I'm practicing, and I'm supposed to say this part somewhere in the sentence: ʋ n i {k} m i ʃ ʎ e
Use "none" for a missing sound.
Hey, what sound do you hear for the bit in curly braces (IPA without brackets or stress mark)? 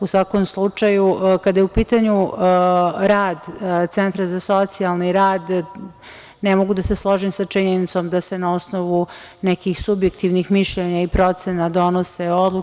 x